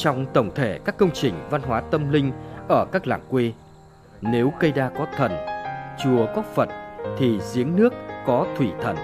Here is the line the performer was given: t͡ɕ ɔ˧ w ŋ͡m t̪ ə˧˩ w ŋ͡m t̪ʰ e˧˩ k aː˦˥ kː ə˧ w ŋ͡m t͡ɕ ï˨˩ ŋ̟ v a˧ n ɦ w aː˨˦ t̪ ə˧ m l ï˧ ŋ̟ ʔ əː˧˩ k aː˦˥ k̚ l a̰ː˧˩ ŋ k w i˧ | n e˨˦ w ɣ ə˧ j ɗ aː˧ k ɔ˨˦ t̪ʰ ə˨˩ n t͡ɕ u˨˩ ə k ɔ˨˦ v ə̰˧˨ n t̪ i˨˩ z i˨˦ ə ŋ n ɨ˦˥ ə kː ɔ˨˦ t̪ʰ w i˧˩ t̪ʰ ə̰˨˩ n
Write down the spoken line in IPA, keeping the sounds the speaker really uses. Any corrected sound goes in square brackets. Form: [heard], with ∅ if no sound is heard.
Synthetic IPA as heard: t͡ɕ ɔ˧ w ŋ͡m t̪ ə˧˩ w ŋ͡m t̪ʰ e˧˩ k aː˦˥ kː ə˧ w ŋ͡m t͡ɕ ï˨˩ ŋ̟ v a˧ n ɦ w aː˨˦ t̪ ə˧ m l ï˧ ŋ̟ ʔ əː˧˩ k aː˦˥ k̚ l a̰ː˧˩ ŋ k w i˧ | n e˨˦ w ɣ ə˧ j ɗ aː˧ k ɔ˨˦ t̪ʰ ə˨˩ n t͡ɕ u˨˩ ə k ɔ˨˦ [f] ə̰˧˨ n [t̪ʰ] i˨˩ z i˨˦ ə ŋ n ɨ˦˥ ə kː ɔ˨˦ t̪ʰ w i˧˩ t̪ʰ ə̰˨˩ n